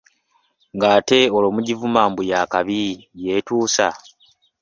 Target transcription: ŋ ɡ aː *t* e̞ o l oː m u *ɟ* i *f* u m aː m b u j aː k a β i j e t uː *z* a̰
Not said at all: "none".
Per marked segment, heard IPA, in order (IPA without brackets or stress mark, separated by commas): t, ɟ, v, s